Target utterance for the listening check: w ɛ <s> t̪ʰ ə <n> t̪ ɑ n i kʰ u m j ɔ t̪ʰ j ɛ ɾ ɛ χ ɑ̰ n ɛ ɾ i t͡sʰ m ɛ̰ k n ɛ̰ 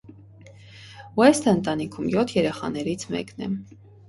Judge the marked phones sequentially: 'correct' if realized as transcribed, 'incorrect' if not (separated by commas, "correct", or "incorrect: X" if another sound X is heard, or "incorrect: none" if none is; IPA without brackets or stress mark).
correct, correct